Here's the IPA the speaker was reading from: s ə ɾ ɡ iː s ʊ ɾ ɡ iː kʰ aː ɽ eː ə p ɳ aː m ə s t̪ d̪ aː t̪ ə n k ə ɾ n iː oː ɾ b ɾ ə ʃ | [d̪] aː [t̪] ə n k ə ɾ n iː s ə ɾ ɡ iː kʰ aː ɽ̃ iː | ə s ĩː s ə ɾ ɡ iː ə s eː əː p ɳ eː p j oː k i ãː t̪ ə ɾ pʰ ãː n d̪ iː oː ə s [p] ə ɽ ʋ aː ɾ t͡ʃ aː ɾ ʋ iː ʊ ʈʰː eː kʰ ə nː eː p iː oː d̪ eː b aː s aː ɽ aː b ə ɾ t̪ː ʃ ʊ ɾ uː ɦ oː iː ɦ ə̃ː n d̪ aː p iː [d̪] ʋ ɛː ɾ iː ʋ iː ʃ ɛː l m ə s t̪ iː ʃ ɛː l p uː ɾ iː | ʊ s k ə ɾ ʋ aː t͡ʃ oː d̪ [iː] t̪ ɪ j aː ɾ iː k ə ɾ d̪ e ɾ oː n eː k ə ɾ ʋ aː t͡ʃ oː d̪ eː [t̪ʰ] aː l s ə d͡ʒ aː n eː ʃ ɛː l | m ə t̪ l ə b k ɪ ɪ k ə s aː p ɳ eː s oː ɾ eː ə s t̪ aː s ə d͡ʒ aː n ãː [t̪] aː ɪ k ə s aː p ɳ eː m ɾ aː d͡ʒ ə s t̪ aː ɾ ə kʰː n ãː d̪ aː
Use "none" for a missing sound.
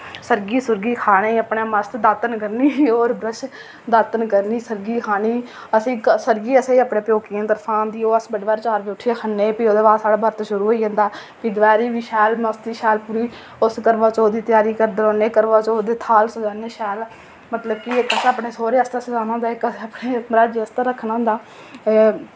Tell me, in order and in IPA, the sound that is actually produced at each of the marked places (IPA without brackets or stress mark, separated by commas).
d̪, t̪, b, d̪, iː, t̪ʰ, d̪